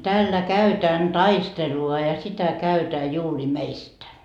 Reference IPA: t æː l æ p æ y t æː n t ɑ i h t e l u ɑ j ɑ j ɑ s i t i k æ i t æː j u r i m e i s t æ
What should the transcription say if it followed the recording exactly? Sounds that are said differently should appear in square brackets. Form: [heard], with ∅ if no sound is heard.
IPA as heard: t æː [lː] æ [k] æ y t æː n t ɑ i [s] t e l u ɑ j ɑ j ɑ s i t [æ] k æ [y] t æː j [uː] r i m e i s t æ